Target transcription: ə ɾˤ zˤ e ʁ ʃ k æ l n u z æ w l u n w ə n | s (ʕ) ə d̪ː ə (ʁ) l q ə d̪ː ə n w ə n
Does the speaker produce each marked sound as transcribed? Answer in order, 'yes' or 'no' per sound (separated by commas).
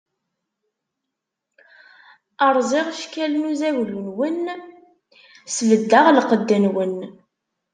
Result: no, yes